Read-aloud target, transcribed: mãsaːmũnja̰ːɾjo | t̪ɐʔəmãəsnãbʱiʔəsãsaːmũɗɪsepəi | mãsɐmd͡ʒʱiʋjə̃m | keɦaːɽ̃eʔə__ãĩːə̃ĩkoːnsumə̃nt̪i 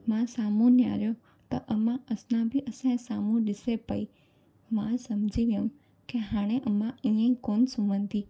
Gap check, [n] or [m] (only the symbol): m